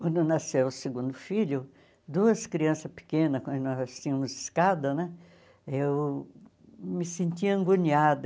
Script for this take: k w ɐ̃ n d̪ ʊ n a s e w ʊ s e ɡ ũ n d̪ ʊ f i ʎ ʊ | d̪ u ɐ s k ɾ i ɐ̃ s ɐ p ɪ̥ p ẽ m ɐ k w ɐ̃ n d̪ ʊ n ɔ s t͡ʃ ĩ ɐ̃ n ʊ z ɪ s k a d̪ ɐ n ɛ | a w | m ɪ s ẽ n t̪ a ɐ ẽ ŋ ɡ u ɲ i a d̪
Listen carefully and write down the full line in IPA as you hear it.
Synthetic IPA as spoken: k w ɐ̃ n d̪ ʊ n a s e w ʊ s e ɡ ũ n d̪ ʊ f i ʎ ʊ | d̪ u ɐ s k ɾ i ɐ̃ s ɐ p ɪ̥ k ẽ n ɐ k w ɐ̃ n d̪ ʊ n ɔ s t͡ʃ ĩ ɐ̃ m ʊ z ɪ s k a d̪ ɐ n ɛ | e w | m ɪ s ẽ n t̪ i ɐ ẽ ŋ ɡ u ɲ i a d̪